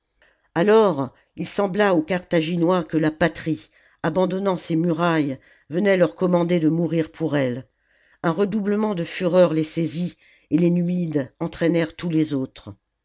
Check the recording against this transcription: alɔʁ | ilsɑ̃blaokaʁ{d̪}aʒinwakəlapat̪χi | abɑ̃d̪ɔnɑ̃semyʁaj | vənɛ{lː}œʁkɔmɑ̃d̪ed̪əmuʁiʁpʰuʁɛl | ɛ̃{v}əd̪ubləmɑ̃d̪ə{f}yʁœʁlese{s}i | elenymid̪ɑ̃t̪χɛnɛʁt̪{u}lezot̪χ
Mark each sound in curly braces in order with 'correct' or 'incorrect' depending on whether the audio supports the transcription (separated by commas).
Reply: incorrect, incorrect, incorrect, correct, incorrect, correct